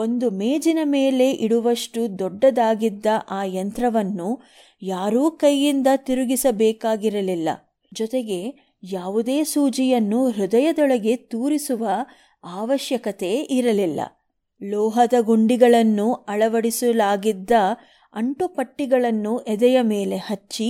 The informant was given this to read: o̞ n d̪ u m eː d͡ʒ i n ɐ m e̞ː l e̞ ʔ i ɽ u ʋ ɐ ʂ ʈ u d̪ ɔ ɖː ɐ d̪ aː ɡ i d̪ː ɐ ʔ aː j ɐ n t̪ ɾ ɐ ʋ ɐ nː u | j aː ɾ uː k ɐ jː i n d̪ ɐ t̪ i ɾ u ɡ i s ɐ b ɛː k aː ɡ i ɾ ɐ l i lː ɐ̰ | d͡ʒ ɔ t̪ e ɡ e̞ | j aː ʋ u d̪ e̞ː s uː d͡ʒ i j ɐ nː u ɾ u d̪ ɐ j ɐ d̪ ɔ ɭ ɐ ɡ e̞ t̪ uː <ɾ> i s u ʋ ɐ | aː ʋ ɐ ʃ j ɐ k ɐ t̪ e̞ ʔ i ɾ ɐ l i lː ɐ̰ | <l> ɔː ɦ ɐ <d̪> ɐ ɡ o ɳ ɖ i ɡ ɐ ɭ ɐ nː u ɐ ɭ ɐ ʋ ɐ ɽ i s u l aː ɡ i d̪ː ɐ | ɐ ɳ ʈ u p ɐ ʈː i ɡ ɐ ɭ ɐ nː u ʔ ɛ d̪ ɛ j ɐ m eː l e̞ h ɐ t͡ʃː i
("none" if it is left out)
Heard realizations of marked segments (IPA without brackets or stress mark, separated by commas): ɾ, l, d̪